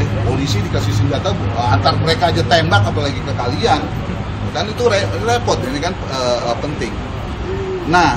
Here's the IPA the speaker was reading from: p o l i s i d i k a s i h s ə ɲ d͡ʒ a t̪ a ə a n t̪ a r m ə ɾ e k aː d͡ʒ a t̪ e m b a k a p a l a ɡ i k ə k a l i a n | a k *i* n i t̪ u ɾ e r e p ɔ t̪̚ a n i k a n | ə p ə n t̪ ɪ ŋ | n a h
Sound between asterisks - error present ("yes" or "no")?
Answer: yes